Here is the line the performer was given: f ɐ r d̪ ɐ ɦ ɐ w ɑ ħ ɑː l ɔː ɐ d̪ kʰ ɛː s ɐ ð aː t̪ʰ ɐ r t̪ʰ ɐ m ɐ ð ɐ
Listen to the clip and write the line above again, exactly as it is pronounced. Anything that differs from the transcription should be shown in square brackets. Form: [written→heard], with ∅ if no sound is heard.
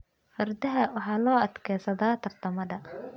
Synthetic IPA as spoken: f ɐ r d̪ ɐ ɦ ɐ w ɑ ħ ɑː l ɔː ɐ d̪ kʰ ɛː s ɐ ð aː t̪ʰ ɐ r t̪ʰ ɐ m ɐ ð ɐ